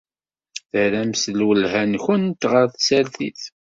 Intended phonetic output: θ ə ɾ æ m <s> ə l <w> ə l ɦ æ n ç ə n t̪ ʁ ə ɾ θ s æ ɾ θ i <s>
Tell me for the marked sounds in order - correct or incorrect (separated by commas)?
correct, correct, incorrect